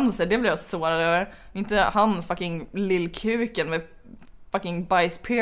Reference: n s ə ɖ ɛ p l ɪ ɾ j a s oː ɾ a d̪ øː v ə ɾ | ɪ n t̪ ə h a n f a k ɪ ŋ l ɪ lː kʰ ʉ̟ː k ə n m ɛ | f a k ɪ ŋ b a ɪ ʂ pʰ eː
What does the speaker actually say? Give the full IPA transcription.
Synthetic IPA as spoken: n s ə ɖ ɛ b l ɪ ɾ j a s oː ɾ a d̪ øː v ə ɾ | ɪ n t̪ ə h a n f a k ɪ ŋ l ɪ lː kʰ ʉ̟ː k ə n m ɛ | f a k ɪ ŋ b a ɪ s pʰ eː